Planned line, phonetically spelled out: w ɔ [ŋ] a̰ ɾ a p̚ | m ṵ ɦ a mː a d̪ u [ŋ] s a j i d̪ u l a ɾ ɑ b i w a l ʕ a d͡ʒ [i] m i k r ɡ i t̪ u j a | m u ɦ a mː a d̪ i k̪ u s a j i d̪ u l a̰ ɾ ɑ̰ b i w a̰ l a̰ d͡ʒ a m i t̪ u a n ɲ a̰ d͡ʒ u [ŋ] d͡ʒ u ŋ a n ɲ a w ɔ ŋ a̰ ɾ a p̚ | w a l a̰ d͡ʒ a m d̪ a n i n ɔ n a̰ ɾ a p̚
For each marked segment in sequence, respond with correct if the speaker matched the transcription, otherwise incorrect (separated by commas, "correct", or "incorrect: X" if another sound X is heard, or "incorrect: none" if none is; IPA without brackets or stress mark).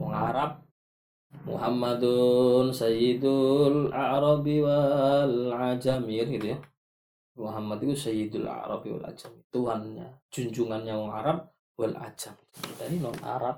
correct, incorrect: n, incorrect: a, incorrect: ɲ